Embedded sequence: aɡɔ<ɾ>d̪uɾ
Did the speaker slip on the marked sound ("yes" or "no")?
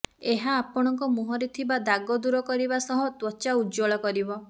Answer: yes